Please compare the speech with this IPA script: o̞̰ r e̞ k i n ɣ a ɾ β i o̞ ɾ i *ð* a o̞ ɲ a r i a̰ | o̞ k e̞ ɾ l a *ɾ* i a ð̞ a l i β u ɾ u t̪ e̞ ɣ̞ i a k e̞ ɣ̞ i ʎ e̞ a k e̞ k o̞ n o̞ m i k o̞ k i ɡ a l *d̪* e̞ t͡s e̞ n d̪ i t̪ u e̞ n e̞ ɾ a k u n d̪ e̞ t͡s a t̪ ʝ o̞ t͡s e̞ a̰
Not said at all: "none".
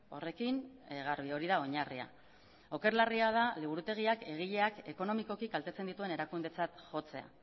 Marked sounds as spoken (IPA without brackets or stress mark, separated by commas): ð, r, t̪